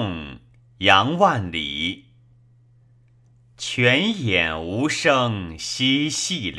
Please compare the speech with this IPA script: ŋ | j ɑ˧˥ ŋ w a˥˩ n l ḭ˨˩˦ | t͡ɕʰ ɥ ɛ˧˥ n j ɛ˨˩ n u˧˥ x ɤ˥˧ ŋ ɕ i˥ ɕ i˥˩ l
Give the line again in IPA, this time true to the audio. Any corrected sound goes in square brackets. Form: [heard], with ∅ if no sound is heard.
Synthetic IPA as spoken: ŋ | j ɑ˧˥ ŋ w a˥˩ n l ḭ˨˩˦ | t͡ɕʰ ɥ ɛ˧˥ n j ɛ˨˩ n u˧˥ [ʂ] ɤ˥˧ ŋ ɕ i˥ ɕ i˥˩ l